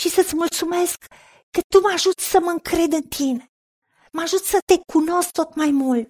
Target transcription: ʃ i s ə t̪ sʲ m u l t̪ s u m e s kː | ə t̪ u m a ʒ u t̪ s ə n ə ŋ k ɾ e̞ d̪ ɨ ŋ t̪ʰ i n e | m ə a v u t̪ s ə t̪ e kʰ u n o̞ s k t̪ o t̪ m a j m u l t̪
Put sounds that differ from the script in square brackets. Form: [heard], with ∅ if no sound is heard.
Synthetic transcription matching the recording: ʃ i s ə t̪ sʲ m u l t̪ s u m e s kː | ə t̪ u m a ʒ u t̪ s ə [m] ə ŋ k ɾ e̞ d̪ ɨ [n] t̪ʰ i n e | m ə a [ʒ] u t̪ s ə t̪ e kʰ u n o̞ s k t̪ o t̪ m a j m u l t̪